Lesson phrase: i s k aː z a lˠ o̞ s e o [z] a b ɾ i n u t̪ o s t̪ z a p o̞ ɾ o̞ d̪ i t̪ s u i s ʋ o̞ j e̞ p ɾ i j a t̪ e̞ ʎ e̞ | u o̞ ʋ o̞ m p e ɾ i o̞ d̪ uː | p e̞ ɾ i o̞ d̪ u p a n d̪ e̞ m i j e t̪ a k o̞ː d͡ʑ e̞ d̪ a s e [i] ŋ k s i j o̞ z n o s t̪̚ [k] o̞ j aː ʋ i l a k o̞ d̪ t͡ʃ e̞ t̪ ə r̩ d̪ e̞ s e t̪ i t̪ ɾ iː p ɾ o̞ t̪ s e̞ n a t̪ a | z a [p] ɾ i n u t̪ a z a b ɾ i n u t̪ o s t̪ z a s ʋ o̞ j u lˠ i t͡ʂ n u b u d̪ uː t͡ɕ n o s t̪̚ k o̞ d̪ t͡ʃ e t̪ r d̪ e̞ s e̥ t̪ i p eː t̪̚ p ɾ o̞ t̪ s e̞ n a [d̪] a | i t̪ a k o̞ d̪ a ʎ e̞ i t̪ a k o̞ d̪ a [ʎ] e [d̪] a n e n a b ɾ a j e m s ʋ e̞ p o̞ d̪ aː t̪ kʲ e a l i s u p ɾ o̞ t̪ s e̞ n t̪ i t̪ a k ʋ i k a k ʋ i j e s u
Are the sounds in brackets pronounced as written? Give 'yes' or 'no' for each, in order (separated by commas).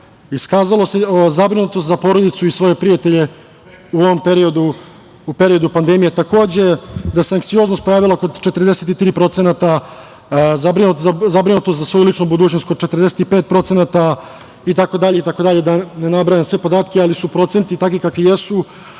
yes, no, no, no, no, yes, yes